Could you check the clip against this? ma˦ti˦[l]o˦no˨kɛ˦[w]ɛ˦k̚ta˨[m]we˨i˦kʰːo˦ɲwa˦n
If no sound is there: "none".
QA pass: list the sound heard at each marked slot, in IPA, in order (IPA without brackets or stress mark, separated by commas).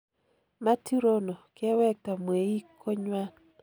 ɾ, w, m